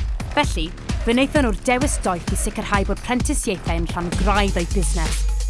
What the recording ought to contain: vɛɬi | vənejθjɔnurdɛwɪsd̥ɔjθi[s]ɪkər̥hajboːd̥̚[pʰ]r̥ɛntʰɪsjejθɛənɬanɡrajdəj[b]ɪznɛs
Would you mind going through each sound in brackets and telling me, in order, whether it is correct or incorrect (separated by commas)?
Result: correct, correct, correct